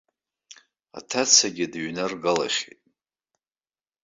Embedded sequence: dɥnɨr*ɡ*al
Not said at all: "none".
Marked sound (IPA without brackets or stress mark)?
ɡ